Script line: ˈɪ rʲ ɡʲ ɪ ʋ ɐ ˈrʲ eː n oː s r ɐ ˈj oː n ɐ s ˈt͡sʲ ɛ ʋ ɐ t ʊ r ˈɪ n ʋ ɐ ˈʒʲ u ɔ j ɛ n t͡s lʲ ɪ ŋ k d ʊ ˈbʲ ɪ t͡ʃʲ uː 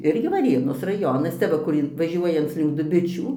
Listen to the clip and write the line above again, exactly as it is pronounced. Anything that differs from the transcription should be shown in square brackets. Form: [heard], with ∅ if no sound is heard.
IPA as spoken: ˈɪ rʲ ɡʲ ɪ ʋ ɐ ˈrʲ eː n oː s r ɐ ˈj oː n ɐ s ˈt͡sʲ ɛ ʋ ɐ [k] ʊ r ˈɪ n ʋ ɐ ˈʒʲ u ɔ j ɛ n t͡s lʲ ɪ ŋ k d ʊ ˈbʲ ɪ t͡ʃʲ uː